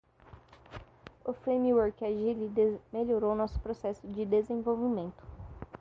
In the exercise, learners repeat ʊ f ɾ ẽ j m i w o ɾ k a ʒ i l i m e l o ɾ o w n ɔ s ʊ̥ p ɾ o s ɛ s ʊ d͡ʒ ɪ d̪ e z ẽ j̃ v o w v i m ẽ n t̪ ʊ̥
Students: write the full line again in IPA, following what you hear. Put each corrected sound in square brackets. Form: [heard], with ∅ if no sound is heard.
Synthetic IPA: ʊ f ɾ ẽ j m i w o ɾ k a ʒ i l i m e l o ɾ o w n ɔ s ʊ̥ p ɾ o s ɛ s ʊ d͡ʒ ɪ d̪ e z ẽ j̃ v o w v i m ẽ n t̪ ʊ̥